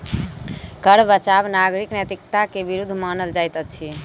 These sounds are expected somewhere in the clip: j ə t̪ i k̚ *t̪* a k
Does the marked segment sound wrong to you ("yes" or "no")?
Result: no